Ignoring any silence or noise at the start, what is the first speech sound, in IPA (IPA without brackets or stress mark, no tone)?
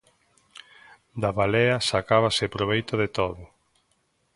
d̪